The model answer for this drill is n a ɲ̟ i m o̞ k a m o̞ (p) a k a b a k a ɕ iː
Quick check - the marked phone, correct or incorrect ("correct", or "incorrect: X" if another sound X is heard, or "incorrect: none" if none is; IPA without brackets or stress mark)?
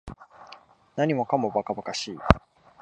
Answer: incorrect: b